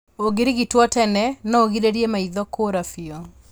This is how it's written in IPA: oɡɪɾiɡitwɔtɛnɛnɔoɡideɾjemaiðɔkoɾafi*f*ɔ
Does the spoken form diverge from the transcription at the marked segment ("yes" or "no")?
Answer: yes